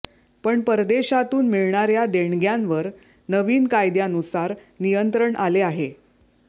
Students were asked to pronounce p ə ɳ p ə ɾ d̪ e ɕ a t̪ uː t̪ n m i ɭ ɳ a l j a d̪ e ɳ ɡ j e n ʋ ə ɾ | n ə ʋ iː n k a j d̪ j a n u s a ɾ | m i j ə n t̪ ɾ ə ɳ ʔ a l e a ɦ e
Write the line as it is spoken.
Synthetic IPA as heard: p ə ɳ p ə ɾ d̪ e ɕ a t̪ uː n m i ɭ ɳ a ɾ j a d̪ e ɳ ɡ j a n ʋ ə ɾ | n ə ʋ iː n k a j d̪ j a n u s a ɾ | n i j ə n t̪ ɾ ə ɳ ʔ a l e a ɦ e